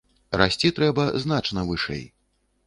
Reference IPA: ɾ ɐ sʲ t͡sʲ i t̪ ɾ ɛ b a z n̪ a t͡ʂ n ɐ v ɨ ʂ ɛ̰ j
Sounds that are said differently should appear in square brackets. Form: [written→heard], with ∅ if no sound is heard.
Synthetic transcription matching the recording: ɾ [ɐ→a] sʲ t͡sʲ i t̪ ɾ ɛ b [a→ɐ] z n̪ a t͡ʂ n ɐ v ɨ ʂ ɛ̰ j